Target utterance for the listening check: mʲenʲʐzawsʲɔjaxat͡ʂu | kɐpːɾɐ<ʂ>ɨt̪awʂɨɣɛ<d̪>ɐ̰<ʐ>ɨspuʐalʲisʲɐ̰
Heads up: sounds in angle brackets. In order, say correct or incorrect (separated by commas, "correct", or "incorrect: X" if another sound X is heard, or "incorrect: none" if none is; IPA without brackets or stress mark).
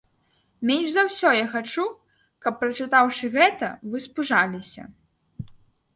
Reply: incorrect: t͡ʂ, incorrect: t̪, incorrect: v